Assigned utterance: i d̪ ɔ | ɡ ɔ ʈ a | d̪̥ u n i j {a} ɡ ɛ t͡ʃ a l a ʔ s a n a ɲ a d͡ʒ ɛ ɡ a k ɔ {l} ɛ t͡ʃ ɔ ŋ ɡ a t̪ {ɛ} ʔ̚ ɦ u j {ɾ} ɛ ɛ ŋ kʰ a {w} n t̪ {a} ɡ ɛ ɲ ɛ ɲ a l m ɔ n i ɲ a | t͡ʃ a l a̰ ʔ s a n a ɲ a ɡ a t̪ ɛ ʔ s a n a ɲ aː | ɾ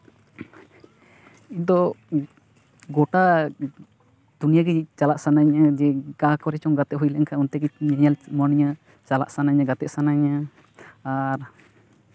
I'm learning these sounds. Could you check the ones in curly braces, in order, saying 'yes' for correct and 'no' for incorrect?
yes, no, yes, no, no, no

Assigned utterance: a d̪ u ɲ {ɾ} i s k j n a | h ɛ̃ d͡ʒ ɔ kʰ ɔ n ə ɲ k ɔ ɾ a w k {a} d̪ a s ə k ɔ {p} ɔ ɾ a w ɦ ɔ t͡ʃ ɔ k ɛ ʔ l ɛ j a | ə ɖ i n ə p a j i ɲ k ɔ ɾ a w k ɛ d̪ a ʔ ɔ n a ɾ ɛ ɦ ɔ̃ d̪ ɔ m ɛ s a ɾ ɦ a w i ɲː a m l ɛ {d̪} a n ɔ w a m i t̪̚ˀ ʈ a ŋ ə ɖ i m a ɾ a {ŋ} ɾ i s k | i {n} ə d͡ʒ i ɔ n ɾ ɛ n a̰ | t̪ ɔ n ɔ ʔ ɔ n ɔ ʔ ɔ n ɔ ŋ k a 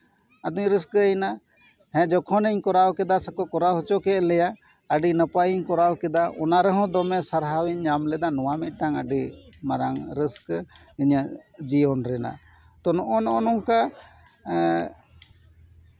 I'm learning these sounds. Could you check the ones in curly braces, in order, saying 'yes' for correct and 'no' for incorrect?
yes, no, no, yes, yes, no

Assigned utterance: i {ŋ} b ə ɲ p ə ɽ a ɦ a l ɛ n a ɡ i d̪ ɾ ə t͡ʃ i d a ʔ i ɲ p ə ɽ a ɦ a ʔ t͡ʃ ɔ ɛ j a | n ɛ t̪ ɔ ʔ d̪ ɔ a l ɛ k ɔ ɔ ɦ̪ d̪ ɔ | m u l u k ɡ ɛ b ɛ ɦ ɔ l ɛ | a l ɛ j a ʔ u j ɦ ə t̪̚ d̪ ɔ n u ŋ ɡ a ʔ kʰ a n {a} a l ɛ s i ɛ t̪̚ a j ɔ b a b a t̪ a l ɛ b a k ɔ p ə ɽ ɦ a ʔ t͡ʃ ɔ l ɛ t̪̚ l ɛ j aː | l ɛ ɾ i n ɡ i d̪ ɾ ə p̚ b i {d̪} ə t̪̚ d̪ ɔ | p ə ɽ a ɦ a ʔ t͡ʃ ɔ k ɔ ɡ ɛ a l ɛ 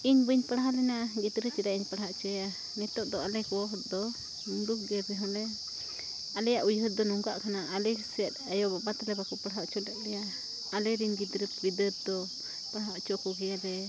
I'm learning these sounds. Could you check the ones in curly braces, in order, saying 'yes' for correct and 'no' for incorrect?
no, yes, yes

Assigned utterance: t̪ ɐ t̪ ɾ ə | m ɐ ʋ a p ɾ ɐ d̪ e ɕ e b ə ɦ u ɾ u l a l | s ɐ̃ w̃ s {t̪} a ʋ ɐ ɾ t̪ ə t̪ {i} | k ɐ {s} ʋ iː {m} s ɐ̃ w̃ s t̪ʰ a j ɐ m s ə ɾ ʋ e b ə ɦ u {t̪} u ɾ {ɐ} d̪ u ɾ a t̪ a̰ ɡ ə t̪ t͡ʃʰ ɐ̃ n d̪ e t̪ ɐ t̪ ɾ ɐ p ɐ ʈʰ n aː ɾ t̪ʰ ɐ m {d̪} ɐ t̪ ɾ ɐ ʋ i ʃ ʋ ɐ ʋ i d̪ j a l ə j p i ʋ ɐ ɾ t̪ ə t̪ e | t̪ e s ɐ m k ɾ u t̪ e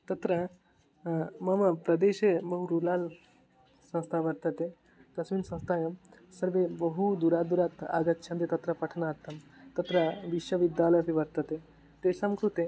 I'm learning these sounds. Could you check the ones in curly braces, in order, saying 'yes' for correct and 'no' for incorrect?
no, no, yes, no, no, no, no

